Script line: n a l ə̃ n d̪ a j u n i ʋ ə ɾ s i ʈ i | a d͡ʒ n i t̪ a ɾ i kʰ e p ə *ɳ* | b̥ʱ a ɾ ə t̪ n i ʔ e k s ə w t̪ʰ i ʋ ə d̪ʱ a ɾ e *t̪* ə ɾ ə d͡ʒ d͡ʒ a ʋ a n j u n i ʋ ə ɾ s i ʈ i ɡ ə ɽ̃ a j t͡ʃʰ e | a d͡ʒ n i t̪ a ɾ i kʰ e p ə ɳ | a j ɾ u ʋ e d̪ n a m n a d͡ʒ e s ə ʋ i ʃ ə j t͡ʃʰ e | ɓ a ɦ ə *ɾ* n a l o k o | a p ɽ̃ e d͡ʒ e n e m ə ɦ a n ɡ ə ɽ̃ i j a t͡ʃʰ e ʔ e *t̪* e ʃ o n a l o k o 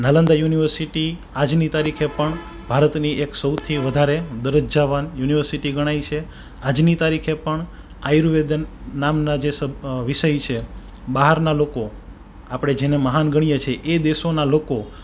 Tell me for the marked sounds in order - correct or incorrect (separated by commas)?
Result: correct, incorrect, correct, incorrect